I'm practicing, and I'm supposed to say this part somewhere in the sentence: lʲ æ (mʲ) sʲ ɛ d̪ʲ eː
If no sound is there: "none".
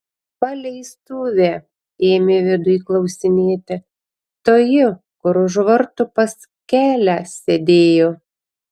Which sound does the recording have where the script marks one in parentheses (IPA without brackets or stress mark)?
none